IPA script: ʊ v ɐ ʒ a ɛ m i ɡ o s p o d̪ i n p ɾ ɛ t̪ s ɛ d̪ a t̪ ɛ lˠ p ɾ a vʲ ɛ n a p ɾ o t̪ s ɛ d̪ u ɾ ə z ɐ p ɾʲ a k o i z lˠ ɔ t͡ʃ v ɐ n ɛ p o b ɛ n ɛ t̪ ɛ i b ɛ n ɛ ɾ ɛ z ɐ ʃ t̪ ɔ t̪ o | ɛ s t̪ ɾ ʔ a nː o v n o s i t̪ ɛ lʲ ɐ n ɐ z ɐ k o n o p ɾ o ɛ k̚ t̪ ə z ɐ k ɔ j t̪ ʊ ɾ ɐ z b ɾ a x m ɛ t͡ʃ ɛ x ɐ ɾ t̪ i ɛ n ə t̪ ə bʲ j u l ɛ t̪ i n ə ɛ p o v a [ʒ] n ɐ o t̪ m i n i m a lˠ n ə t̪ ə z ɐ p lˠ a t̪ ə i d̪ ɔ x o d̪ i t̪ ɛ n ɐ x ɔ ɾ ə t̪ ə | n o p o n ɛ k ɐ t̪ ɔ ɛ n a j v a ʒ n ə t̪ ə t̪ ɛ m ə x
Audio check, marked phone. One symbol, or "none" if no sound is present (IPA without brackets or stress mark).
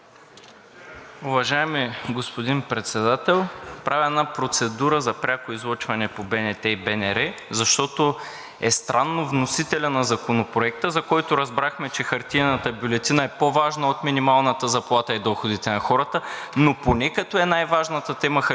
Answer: ʒ